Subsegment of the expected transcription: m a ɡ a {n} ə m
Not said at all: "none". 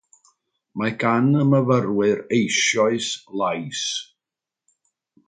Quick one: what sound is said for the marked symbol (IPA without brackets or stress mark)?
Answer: n